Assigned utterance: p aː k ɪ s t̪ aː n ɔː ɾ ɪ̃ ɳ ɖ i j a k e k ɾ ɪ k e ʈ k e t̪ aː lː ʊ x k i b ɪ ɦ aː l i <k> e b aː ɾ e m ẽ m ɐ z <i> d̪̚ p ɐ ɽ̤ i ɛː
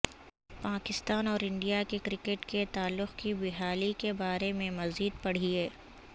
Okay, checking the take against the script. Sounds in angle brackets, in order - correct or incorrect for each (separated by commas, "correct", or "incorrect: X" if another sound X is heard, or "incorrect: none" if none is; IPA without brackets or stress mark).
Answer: correct, incorrect: iː